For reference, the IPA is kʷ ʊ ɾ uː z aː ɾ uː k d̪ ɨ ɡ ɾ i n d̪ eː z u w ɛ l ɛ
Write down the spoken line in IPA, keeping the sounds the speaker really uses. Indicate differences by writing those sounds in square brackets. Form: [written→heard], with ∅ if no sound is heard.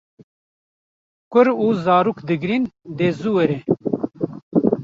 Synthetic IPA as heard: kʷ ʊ ɾ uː z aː ɾ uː k d̪ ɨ ɡ ɾ i n d̪ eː z u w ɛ [l→ɾ] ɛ